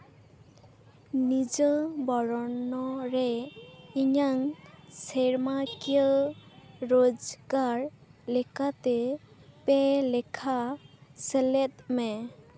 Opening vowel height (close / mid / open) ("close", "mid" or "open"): close